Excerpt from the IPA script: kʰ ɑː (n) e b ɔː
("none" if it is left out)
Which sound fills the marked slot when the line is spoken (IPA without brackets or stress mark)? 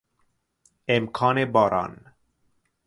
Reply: n